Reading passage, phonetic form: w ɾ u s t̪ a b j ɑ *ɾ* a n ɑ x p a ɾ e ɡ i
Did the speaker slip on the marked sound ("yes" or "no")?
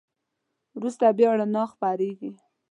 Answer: yes